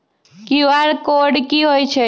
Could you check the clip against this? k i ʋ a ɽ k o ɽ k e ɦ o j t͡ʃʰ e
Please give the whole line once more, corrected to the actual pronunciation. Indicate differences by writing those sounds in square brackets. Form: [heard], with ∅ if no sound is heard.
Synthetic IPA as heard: k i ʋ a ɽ k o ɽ k [i] ɦ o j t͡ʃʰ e